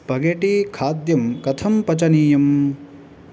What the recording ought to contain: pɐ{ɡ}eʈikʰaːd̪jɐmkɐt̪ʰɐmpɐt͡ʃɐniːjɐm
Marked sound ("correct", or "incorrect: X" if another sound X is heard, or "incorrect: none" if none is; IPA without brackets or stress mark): correct